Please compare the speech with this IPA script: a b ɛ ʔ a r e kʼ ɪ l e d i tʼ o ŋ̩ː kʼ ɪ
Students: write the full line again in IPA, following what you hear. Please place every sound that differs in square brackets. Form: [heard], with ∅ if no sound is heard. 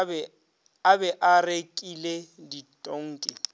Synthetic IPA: a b ɛ ʔ a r e kʼ [i] l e d i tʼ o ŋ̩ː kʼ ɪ